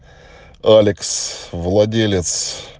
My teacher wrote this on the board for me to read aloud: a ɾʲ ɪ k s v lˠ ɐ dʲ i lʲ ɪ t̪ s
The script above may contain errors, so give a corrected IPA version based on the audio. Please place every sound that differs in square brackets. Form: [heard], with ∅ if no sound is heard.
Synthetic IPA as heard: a [lʲ] ɪ k s v lˠ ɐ dʲ [e] lʲ ɪ t̪ s